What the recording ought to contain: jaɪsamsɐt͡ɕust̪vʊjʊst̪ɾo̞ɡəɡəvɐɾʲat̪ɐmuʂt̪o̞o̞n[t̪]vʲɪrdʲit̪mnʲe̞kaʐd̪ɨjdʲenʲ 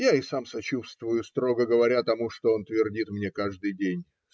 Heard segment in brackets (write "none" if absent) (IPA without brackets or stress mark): t̪